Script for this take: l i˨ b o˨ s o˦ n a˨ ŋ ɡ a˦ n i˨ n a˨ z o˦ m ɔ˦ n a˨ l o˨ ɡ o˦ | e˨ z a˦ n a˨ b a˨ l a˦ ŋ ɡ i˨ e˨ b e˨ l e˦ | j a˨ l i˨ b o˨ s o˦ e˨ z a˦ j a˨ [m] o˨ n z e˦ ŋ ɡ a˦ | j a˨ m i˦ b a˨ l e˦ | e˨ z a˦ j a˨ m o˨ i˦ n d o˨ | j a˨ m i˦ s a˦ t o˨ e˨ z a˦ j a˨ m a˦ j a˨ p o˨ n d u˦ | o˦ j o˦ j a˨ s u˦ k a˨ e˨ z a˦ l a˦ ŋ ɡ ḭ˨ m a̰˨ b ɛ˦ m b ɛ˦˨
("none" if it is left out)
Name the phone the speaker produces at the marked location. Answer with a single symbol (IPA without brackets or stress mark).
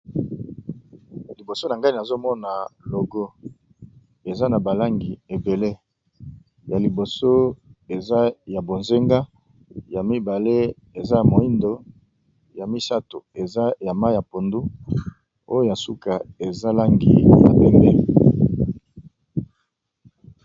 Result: b